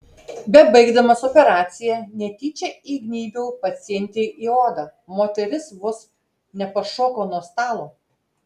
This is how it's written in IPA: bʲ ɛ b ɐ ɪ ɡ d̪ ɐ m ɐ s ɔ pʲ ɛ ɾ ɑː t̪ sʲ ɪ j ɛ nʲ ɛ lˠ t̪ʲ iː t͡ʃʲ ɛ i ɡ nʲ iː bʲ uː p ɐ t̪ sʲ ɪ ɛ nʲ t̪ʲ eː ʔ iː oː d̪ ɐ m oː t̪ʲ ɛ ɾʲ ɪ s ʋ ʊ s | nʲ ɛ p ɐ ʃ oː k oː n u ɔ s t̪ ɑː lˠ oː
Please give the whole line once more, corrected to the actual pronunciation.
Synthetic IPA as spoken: bʲ ɛ b ɐ ɪ ɡ d̪ ɐ m ɐ s ɔ pʲ ɛ ɾ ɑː t̪ sʲ ɪ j ɛ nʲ ɛ t̪ʲ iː t͡ʃʲ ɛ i ɡ nʲ iː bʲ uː p ɐ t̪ sʲ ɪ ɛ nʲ t̪ʲ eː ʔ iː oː d̪ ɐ m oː t̪ʲ ɛ ɾʲ ɪ s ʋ ʊ s | nʲ ɛ p ɐ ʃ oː k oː n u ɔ s t̪ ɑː lˠ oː

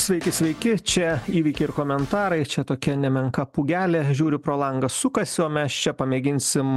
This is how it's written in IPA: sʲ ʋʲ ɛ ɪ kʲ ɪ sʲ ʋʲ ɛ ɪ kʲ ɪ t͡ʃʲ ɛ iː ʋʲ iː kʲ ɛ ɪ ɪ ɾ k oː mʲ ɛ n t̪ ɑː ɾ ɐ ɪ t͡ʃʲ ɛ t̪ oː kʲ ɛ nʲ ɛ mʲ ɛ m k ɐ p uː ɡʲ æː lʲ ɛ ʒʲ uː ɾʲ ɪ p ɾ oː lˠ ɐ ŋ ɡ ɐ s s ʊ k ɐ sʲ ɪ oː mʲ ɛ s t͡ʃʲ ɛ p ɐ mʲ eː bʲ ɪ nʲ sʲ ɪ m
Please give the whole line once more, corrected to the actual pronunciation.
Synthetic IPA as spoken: sʲ ʋʲ ɛ ɪ kʲ ɪ sʲ ʋʲ ɛ ɪ kʲ ɪ t͡ʃʲ ɛ iː ʋʲ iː kʲ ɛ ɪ ɪ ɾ k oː mʲ ɛ n t̪ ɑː ɾ ɐ ɪ t͡ʃʲ ɛ t̪ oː kʲ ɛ nʲ ɛ mʲ ɛ ŋ k ɐ p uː ɡʲ æː lʲ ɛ ʒʲ uː ɾʲ ɪ p ɾ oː lˠ ɐ ŋ ɡ ɐ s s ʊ k ɐ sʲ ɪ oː mʲ ɛ s t͡ʃʲ ɛ p ɐ mʲ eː ɡʲ ɪ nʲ sʲ ɪ m

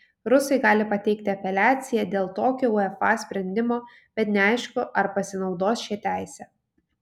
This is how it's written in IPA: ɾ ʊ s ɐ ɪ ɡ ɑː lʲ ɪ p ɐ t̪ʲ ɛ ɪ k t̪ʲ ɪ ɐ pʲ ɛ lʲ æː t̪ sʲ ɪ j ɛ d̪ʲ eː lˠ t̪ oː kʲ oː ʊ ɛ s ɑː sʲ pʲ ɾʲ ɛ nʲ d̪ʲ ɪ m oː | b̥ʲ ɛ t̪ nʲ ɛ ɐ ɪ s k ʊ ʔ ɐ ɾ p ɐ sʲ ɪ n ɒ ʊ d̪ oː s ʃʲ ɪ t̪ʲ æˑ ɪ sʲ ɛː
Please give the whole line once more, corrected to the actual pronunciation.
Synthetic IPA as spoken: ɾ ʊ s ɐ ɪ ɡ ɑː lʲ ɪ p ɐ t̪ʲ ɛ ɪ k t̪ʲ ɪ ɐ pʲ ɛ lʲ æː t̪ sʲ ɪ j ɛ d̪ʲ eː lˠ t̪ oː kʲ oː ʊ ɛ f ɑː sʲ pʲ ɾʲ ɛ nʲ d̪ʲ ɪ m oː | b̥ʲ ɛ t̪ nʲ ɛ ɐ ɪ ʃ k ʊ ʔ ɐ ɾ p ɐ sʲ ɪ n ɒ ʊ d̪ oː s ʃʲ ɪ t̪ʲ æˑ ɪ sʲ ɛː

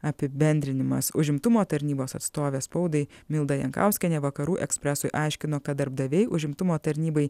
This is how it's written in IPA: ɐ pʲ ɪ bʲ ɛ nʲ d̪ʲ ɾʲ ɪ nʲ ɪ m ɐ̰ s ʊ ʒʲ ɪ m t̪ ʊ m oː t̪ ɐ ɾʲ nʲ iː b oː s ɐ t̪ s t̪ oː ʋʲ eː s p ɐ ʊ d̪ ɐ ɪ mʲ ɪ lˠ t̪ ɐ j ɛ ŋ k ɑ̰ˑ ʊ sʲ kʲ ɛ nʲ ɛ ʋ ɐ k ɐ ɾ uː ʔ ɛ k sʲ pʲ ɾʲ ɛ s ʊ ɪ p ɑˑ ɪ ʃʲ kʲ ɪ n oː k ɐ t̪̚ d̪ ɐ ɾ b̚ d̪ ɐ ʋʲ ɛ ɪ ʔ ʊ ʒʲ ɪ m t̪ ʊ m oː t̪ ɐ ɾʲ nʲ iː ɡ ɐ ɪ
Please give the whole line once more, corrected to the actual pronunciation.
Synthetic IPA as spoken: ɐ pʲ ɪ bʲ ɛ nʲ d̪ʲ ɾʲ ɪ nʲ ɪ m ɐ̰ s ʊ ʒʲ ɪ m t̪ ʊ m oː t̪ ɐ ɾʲ nʲ iː b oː s ɐ t̪ s t̪ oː ʋʲ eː s p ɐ ʊ d̪ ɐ ɪ mʲ ɪ lˠ d̪ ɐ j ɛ ŋ k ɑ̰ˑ ʊ sʲ kʲ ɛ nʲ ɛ ʋ ɐ k ɐ ɾ uː ʔ ɛ k sʲ pʲ ɾʲ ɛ s ʊ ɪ ʔ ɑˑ ɪ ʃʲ kʲ ɪ n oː k ɐ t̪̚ d̪ ɐ ɾ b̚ d̪ ɐ ʋʲ ɛ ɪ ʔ ʊ ʒʲ ɪ m t̪ ʊ m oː t̪ ɐ ɾʲ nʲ iː b ɐ ɪ

